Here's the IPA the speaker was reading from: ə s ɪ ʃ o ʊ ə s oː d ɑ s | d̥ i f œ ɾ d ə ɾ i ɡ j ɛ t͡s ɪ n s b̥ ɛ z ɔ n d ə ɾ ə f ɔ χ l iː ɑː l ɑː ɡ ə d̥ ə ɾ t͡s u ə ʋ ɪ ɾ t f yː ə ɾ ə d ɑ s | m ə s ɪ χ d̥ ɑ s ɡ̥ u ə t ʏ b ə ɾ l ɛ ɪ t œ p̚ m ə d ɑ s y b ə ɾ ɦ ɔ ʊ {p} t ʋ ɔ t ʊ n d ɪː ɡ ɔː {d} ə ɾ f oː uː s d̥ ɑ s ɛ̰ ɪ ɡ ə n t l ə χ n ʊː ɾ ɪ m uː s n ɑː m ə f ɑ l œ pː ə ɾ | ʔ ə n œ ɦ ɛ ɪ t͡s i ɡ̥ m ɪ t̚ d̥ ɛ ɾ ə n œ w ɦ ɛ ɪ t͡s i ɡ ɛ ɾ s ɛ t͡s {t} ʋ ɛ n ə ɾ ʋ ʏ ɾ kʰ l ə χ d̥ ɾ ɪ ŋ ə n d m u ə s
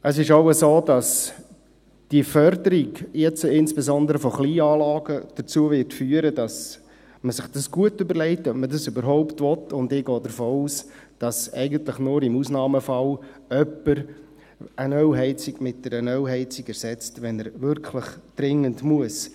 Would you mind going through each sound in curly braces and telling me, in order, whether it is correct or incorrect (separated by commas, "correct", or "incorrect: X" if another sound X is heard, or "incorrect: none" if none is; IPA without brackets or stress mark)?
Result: correct, correct, correct